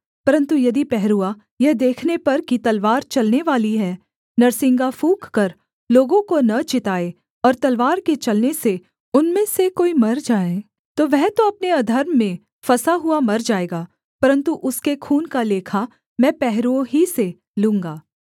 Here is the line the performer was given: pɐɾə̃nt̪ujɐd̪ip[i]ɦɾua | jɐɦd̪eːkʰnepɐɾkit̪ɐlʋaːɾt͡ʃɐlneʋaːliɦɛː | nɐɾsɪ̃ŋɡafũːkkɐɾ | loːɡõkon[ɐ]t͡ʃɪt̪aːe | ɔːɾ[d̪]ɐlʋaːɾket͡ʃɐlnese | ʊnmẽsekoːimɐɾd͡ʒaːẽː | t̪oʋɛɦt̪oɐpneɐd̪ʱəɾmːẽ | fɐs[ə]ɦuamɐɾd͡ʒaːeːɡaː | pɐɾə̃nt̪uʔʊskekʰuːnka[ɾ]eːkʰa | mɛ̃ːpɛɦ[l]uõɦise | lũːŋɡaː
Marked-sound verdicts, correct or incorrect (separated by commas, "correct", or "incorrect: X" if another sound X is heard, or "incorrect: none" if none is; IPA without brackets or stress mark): incorrect: ɛ, correct, incorrect: t̪, incorrect: a, incorrect: l, incorrect: ɾ